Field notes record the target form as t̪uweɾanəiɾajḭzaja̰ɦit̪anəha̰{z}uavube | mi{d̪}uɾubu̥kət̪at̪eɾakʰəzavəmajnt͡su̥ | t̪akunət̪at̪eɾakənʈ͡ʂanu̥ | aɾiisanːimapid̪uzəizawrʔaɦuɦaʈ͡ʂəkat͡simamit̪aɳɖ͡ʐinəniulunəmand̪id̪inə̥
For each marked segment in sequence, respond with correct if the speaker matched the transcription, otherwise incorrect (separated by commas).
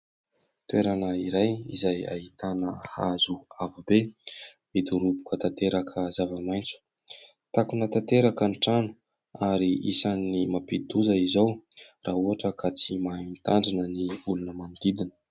correct, correct